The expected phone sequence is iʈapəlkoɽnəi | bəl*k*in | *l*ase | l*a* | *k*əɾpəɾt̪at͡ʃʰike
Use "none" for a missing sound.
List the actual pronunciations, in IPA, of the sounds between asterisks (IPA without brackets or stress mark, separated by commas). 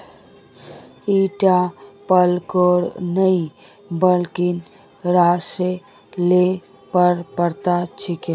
k, ɾ, e, p